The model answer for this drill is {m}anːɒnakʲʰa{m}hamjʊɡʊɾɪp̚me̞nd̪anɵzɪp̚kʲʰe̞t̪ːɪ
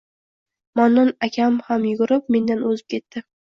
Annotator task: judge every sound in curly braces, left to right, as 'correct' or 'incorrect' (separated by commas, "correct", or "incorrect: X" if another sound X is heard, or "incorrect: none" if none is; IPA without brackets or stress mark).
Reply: correct, correct